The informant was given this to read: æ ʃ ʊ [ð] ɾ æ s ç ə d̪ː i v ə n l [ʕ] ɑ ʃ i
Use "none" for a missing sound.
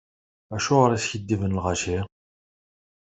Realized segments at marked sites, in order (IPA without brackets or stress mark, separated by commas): ʁ, ʁ